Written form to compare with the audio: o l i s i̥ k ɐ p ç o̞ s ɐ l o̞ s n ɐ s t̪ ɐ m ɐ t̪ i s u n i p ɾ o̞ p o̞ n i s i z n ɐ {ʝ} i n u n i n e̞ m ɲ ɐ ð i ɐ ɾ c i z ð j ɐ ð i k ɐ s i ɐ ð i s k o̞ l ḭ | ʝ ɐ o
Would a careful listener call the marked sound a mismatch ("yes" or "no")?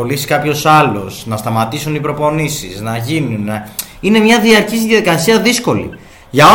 no